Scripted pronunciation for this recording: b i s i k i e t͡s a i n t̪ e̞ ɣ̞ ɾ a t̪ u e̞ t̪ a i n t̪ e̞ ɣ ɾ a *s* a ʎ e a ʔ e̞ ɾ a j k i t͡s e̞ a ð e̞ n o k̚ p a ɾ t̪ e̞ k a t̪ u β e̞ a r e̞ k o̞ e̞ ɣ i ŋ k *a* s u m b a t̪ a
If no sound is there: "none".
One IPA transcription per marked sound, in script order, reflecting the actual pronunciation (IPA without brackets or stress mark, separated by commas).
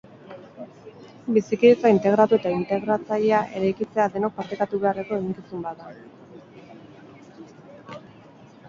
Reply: t͡s, i